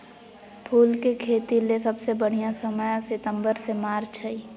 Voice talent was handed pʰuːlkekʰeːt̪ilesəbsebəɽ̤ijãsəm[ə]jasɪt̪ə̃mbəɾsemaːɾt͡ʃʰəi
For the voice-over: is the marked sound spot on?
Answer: yes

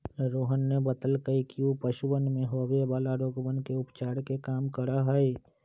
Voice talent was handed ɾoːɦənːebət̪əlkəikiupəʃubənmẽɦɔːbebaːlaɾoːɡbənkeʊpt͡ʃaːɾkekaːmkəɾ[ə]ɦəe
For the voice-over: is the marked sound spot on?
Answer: no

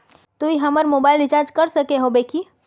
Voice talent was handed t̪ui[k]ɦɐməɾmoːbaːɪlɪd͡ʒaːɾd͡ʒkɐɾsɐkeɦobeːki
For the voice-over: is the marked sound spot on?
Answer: no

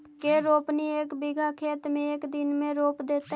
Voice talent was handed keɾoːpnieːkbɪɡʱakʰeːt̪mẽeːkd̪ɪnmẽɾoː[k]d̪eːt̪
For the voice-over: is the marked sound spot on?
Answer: no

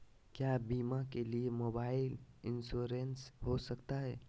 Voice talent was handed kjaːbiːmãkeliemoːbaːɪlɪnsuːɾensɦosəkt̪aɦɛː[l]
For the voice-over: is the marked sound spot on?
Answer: no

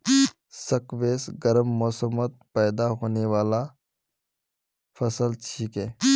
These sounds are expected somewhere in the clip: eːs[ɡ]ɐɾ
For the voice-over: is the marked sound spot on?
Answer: yes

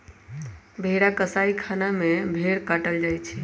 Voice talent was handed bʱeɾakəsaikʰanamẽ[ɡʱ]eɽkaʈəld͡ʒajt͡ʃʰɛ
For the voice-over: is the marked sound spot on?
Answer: no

